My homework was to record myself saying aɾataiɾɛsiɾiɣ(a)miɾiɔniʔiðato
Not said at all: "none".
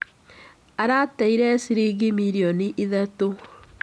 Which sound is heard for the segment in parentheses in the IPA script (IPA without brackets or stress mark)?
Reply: i